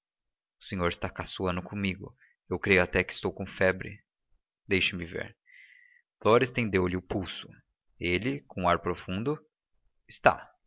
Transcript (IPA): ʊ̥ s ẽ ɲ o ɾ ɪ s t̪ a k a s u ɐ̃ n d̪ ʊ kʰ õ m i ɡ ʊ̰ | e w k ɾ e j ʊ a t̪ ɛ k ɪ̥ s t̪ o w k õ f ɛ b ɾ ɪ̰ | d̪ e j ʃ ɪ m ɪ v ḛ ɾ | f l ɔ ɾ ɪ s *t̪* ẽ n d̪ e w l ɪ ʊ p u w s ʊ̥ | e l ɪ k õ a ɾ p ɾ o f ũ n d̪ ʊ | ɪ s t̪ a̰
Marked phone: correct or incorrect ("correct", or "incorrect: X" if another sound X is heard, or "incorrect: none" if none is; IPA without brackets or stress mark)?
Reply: correct